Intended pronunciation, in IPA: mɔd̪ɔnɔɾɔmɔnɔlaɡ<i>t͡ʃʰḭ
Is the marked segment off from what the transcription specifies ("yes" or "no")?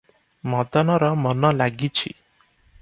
no